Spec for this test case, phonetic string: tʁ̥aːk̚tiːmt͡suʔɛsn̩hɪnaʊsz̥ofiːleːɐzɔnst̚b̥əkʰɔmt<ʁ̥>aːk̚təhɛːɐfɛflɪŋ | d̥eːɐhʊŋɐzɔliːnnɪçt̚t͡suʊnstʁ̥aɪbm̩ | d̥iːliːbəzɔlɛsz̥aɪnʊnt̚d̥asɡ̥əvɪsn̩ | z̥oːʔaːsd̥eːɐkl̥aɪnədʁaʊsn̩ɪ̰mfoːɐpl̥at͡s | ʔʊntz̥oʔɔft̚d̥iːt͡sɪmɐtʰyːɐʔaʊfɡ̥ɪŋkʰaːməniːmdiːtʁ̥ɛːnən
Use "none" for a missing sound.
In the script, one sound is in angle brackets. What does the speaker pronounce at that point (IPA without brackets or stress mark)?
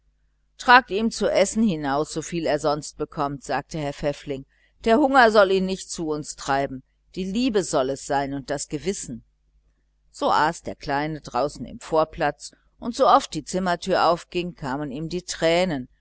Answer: z̥